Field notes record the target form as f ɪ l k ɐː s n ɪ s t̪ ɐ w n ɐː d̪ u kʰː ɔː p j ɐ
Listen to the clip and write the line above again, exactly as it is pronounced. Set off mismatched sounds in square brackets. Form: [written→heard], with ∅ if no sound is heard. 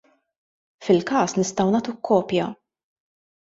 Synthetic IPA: f ɪ l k ɐː s n ɪ s t̪ ɐ w n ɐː [d̪→t̪] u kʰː ɔː p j ɐ